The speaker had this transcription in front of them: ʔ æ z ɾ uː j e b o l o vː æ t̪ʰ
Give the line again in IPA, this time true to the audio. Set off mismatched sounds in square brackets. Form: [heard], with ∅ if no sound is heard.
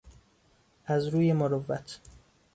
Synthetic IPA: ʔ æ z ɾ uː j e [m] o [ɾ] o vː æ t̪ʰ